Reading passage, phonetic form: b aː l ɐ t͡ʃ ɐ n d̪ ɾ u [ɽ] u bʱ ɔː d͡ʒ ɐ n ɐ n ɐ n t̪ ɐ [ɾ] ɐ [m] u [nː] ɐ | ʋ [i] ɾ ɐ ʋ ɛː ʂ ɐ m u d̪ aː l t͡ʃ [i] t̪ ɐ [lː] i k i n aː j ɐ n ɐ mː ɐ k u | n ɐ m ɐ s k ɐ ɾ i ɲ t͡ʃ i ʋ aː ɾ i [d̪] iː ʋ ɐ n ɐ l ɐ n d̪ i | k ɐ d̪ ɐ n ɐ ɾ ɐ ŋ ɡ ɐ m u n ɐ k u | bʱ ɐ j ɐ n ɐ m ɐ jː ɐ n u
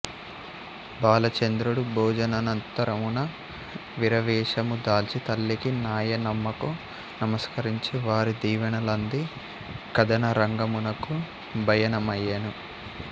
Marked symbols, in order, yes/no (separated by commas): yes, yes, yes, no, yes, yes, yes, yes